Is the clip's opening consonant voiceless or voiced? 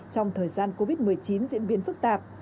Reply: voiceless